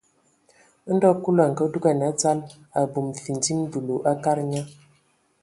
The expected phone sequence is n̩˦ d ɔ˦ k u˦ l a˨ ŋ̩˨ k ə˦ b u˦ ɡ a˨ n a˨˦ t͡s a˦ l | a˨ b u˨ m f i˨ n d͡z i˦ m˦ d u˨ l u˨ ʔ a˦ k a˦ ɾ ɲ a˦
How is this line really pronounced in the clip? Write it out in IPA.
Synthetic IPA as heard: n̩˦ d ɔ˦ k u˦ l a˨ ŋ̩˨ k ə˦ d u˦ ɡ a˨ n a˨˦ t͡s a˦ l | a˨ b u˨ m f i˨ n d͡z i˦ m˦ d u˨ l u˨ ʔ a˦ k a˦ ɾ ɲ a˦